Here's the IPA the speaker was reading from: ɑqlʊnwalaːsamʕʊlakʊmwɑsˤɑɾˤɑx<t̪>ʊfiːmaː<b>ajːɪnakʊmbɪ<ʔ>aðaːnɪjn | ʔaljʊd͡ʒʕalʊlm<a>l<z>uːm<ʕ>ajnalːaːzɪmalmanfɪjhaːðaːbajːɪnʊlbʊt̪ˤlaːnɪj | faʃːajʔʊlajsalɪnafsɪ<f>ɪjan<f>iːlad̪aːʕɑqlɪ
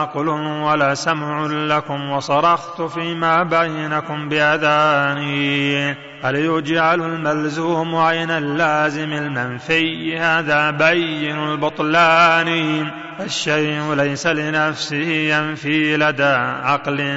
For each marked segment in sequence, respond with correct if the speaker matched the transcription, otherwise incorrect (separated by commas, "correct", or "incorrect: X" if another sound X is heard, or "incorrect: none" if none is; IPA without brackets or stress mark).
correct, correct, correct, correct, correct, correct, incorrect: h, correct